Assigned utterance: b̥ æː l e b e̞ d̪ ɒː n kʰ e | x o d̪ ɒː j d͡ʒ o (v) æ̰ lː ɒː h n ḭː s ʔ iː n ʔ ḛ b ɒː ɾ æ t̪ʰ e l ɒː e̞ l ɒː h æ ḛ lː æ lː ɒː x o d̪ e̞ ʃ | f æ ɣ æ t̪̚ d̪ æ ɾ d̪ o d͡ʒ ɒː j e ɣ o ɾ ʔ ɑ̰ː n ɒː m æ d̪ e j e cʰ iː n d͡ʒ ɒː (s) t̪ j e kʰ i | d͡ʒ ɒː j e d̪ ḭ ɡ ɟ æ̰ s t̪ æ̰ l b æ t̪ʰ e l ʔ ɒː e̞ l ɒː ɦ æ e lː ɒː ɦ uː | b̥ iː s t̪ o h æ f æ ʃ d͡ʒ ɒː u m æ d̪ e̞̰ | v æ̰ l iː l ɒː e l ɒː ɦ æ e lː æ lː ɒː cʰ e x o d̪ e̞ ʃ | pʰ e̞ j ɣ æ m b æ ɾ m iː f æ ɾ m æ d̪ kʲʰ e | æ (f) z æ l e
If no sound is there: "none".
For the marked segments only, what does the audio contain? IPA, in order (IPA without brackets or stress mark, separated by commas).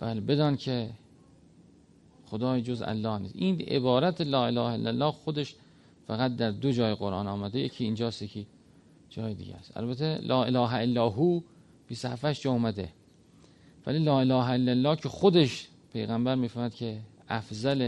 z, s, f